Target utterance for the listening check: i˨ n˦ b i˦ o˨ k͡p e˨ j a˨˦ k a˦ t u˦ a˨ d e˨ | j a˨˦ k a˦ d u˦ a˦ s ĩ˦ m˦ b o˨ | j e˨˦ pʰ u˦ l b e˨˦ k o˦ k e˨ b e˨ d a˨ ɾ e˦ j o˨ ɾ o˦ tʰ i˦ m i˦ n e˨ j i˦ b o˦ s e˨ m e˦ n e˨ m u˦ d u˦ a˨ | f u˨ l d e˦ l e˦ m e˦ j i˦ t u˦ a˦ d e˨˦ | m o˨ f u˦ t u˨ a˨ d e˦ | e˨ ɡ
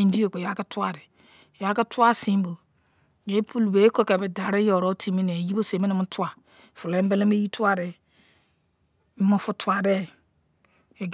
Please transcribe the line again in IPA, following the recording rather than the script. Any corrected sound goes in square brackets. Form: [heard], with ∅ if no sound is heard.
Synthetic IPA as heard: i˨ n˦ [d] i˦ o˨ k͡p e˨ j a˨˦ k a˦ t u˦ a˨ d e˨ | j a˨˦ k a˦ [t] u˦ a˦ s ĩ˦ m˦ b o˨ | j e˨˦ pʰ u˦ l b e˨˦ k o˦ k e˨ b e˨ d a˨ ɾ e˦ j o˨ ɾ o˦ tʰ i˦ m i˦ n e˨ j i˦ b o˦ s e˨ m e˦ n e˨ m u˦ [t] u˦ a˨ | f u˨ l [b] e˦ l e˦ m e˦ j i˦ t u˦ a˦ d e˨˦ | m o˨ f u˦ t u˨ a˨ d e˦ | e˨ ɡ